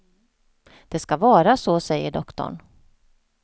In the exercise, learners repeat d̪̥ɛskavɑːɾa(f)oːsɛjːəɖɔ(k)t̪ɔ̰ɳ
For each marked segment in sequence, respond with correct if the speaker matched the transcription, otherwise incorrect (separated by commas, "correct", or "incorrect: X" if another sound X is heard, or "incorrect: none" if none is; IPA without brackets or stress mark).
incorrect: s, correct